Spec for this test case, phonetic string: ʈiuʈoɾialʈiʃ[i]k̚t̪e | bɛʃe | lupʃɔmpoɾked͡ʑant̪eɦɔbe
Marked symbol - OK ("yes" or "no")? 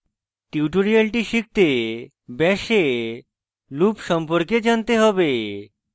yes